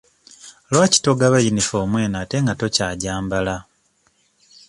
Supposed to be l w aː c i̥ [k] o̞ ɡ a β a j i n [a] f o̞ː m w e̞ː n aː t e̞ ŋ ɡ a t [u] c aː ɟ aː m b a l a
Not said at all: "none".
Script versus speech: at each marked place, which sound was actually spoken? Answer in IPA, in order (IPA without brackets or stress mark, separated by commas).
t, i, o